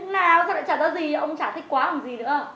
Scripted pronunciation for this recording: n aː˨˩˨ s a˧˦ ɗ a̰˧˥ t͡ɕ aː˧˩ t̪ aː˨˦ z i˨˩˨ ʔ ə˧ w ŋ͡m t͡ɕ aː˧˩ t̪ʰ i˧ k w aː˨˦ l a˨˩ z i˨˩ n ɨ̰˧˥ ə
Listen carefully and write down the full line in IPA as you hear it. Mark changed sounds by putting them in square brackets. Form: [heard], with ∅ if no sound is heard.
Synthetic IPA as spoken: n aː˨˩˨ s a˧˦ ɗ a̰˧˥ t͡ɕ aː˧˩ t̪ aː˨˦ z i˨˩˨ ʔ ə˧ w ŋ͡m t͡ɕ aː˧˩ t̪ʰ [i˦˥] k w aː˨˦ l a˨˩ z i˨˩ n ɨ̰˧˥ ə

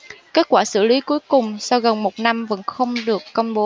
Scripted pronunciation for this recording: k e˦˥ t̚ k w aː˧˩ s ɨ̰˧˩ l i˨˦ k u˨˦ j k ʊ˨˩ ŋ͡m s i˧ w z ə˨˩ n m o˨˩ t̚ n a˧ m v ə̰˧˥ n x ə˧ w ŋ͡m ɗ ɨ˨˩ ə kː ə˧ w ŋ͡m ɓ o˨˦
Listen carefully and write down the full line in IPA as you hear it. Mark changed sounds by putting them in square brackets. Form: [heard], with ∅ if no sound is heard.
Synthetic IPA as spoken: k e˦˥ t̚ k w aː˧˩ s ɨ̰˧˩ l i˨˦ k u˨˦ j k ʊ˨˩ ŋ͡m s [a˧] w [ɣ] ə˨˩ n m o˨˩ t̚ n a˧ m v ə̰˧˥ n x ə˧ w ŋ͡m ɗ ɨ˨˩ ə kː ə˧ w ŋ͡m ɓ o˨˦

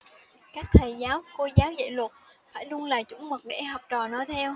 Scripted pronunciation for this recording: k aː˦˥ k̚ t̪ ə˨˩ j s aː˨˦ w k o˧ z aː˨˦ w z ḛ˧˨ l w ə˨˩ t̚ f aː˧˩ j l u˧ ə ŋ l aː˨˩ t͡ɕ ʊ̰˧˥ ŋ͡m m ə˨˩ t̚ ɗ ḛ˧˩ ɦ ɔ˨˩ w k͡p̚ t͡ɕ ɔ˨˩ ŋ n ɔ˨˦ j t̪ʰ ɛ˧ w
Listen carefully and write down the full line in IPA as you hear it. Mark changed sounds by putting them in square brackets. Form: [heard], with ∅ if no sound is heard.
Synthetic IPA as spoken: k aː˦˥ k̚ [t̪ʰ] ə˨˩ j [z] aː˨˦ w k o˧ z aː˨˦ w z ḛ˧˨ l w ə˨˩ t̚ f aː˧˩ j l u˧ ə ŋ l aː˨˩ t͡ɕ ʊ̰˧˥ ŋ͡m m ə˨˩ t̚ ɗ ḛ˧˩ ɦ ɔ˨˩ w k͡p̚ t͡ɕ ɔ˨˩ [∅] n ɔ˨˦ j t̪ʰ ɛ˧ w

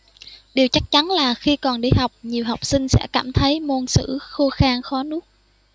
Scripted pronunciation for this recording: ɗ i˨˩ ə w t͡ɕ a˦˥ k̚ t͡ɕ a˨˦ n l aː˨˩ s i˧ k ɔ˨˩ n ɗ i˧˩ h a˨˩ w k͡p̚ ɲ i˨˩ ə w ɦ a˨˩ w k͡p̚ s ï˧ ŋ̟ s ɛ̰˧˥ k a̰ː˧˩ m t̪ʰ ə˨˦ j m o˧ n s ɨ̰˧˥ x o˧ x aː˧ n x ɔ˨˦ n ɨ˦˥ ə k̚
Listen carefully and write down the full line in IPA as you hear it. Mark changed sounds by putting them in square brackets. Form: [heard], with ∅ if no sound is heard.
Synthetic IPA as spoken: ɗ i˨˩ ə w t͡ɕ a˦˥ k̚ t͡ɕ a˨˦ n l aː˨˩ [x] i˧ k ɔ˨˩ n ɗ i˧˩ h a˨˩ w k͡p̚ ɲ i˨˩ ə w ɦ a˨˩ w k͡p̚ s ï˧ ŋ̟ s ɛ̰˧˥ k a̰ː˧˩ m t̪ʰ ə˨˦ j m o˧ n s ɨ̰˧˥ x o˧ x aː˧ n x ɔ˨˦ n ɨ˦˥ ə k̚

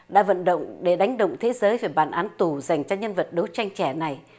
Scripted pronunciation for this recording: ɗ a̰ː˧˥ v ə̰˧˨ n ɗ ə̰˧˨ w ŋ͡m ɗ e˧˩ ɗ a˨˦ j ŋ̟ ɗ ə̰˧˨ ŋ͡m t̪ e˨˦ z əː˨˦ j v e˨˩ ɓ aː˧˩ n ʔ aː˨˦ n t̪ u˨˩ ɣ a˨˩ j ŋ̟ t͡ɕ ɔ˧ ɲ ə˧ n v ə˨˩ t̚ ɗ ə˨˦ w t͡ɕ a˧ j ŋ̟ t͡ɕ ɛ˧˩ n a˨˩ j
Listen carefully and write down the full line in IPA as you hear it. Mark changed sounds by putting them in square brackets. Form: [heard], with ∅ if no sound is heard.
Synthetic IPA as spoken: ɗ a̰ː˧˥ v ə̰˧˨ n ɗ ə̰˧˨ w ŋ͡m ɗ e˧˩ ɗ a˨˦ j ŋ̟ ɗ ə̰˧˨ ŋ͡m [t̪ʰ] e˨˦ z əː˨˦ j v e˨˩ ɓ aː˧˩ n ʔ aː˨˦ n t̪ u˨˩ [z] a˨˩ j ŋ̟ t͡ɕ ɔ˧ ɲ ə˧ n v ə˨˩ t̚ ɗ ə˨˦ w t͡ɕ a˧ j ŋ̟ t͡ɕ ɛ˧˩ n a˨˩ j

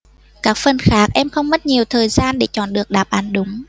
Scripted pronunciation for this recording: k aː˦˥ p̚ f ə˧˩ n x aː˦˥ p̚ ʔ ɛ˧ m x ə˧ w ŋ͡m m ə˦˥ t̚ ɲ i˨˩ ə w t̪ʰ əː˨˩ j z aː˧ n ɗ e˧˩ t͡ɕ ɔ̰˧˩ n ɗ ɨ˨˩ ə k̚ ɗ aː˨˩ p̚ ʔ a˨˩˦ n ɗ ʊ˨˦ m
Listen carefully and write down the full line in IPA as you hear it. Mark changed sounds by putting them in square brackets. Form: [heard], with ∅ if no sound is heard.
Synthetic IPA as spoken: k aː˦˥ [k̚] f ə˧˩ n x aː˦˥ [k̚] ʔ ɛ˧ m x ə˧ w ŋ͡m m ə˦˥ t̚ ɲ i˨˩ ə w t̪ʰ əː˨˩ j z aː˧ n ɗ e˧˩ t͡ɕ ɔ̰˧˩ n ɗ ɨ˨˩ ə k̚ ɗ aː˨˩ p̚ ʔ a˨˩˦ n ɗ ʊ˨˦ [ŋ͡m]

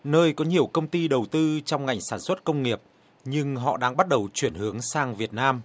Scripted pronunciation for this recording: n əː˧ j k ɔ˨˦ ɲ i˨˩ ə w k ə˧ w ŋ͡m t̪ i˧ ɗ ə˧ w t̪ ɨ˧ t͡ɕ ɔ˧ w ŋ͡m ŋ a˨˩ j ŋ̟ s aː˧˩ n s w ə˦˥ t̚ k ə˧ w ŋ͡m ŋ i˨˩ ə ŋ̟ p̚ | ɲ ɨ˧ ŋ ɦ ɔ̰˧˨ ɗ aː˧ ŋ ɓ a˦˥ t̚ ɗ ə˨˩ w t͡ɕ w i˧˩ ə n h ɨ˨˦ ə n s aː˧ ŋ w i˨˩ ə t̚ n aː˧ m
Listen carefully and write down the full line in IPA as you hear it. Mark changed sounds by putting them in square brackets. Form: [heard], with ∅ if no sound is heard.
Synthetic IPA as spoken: n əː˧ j k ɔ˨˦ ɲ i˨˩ ə w k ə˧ w ŋ͡m t̪ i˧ ɗ [ə˨˩] w t̪ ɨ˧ t͡ɕ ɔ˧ w ŋ͡m ŋ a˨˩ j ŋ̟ s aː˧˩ n s w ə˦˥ t̚ k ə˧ w ŋ͡m ŋ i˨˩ ə [∅] p̚ | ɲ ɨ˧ ŋ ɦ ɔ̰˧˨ ɗ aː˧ ŋ ɓ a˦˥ t̚ ɗ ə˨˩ w t͡ɕ w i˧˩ ə n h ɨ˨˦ ə [ŋ] s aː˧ ŋ [v] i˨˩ ə t̚ n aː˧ m

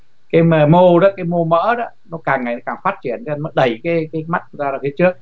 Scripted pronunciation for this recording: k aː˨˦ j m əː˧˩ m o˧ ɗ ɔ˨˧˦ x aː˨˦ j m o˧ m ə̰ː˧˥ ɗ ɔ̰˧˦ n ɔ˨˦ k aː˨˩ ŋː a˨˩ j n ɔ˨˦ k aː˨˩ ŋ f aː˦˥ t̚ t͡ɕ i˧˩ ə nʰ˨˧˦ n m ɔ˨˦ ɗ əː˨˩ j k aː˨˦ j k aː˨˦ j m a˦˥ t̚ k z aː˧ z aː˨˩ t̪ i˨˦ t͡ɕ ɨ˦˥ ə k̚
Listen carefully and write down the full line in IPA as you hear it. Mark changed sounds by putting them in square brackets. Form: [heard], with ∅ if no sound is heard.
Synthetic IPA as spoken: k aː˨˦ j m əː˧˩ m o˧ ɗ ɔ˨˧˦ [k] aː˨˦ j m o˧ m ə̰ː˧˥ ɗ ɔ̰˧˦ n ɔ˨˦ k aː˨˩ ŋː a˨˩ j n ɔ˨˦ k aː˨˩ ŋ f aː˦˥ t̚ t͡ɕ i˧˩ ə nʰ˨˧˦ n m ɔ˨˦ ɗ [ə˨˩] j k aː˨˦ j k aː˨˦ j m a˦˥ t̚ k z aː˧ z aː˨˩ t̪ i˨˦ t͡ɕ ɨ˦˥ ə k̚

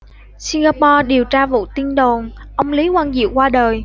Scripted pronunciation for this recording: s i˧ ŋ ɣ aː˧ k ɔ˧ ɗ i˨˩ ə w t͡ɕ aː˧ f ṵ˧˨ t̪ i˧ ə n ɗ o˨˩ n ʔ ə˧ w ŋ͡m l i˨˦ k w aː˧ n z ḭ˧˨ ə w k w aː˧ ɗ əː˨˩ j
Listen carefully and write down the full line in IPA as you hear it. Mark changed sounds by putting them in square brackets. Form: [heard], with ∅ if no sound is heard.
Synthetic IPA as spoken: s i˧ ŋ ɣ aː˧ [p] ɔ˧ ɗ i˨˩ ə w t͡ɕ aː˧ [v] ṵ˧˨ t̪ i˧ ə n ɗ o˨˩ n ʔ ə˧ w ŋ͡m l i˨˦ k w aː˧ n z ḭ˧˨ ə w k w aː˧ ɗ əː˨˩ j

